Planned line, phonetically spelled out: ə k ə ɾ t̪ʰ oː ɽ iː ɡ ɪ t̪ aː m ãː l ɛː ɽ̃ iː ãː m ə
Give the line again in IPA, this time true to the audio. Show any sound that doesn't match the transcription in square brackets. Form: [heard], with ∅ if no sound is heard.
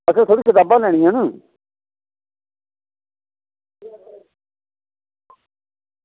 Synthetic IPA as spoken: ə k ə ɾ t̪ʰ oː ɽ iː [k] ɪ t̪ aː [b] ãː l ɛː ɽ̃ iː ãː [n] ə